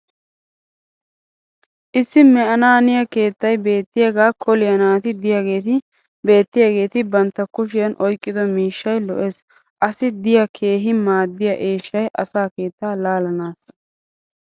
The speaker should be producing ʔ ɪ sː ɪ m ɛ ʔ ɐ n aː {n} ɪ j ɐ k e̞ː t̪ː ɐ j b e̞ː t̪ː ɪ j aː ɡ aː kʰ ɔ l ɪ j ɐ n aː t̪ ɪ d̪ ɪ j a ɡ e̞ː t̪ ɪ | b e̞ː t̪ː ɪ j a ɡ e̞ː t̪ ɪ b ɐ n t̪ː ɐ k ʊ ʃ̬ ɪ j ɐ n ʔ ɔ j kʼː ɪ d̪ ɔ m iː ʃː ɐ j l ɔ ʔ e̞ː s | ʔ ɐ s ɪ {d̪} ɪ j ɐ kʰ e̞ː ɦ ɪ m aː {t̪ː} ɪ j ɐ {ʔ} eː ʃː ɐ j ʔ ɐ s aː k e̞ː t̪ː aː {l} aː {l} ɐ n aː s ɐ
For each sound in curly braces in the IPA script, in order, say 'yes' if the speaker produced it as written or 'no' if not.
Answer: yes, yes, no, yes, yes, yes

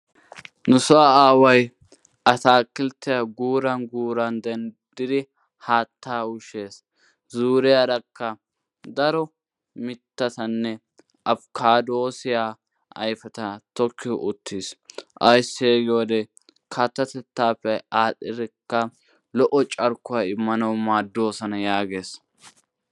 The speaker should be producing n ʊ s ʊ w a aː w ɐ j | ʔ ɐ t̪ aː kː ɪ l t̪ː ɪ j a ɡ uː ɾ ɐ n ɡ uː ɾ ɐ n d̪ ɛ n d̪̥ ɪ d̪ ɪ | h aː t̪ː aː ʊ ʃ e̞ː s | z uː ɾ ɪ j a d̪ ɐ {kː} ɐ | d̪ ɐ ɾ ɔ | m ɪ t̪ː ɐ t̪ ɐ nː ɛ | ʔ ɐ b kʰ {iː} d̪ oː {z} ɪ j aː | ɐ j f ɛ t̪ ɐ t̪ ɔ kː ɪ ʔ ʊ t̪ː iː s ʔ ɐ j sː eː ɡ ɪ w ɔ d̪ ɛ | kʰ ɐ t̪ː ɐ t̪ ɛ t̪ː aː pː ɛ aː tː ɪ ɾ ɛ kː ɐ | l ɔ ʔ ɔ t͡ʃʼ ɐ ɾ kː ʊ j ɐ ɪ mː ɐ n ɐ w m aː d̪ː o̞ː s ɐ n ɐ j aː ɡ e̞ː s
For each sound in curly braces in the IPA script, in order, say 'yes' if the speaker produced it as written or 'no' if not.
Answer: yes, no, no

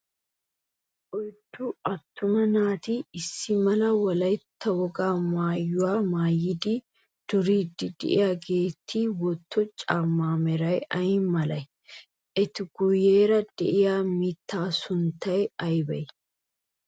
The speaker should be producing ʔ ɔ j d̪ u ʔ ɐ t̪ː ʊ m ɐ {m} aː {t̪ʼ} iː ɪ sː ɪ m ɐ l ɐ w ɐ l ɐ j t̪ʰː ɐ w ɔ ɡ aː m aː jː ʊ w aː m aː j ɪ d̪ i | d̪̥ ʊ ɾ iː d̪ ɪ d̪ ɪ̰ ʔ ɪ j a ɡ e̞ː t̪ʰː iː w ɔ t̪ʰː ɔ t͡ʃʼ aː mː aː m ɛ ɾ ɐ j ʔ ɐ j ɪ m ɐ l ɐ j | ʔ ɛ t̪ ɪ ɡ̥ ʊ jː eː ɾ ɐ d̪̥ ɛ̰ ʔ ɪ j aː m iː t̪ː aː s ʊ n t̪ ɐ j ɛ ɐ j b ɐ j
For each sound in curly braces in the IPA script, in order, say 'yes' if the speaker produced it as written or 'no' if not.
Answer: no, no

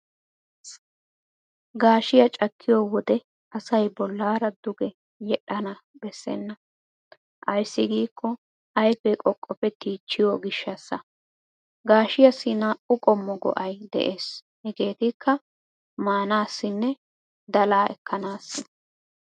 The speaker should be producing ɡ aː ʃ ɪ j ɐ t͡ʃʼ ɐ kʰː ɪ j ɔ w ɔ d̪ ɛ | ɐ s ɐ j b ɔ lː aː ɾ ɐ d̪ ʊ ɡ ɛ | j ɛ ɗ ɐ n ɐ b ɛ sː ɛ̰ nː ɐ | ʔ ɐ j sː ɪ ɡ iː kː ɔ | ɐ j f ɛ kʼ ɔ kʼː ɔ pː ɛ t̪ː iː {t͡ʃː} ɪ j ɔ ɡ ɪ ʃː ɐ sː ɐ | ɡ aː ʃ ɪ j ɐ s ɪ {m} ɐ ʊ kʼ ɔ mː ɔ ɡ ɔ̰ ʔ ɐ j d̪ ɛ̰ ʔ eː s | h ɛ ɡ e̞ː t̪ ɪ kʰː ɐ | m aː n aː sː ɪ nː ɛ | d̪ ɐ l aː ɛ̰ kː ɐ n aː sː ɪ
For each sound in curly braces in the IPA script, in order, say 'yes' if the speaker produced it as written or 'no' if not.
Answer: yes, no

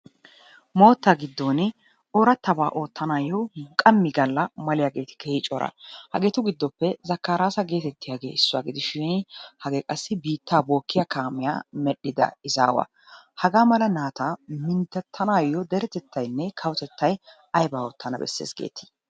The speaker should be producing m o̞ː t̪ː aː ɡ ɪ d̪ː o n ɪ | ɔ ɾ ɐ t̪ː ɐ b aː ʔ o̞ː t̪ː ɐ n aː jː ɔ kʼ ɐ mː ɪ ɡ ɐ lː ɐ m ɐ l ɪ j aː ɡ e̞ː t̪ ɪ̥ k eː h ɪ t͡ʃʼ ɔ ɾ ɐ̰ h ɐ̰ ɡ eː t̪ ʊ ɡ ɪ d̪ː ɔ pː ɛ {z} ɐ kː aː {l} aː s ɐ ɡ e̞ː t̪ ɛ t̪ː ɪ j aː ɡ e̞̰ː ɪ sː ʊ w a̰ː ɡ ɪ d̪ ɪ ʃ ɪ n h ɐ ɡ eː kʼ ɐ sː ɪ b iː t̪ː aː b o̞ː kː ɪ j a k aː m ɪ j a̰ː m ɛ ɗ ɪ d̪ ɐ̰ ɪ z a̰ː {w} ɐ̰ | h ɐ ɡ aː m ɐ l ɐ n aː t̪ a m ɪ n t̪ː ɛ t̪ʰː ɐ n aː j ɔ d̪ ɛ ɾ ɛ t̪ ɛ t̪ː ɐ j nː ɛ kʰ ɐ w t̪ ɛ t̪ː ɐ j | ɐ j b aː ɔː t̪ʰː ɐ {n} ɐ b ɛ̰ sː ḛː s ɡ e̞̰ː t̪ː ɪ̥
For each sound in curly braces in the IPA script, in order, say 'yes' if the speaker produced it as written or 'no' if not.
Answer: yes, no, yes, yes

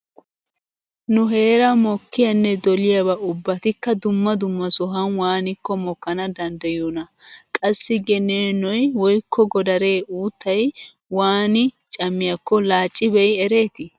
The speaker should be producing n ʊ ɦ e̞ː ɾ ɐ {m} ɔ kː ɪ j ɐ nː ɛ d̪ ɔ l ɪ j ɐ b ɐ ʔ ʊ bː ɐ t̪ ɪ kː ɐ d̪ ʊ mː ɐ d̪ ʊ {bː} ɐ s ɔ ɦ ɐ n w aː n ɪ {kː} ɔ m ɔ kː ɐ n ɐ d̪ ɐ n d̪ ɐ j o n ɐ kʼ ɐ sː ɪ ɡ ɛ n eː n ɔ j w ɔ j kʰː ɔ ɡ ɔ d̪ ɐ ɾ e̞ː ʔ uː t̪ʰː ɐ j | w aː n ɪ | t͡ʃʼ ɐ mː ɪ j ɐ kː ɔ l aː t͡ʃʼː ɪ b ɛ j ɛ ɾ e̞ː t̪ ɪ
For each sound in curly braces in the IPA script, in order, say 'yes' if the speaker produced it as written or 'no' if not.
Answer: yes, no, yes

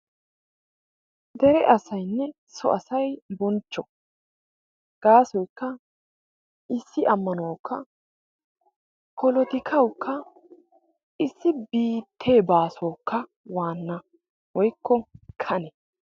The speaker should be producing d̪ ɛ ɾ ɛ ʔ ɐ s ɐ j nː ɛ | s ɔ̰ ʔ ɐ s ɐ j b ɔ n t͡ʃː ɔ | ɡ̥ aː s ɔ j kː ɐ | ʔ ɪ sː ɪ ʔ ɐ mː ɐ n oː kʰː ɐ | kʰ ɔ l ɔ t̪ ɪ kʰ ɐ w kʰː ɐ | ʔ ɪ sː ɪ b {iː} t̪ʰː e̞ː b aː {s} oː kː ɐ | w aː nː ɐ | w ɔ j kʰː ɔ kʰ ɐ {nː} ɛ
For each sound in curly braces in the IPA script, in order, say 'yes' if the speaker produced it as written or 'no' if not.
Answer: yes, yes, no

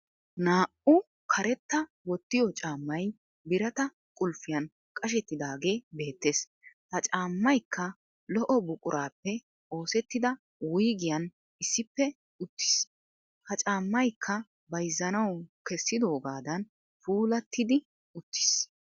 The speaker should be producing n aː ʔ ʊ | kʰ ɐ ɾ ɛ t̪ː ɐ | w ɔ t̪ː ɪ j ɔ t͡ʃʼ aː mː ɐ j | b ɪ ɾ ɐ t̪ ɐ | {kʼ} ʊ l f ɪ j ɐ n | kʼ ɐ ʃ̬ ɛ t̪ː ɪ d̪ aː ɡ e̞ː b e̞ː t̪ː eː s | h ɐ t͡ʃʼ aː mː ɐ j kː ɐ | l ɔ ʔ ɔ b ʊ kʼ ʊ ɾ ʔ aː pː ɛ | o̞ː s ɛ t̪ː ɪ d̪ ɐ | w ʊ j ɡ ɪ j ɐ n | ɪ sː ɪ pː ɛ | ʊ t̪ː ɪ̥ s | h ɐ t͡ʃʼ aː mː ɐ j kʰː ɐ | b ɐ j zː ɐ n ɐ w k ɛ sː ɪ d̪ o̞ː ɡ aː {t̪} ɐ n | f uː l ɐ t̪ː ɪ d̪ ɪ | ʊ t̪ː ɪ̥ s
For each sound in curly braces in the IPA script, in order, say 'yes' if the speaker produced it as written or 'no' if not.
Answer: yes, no

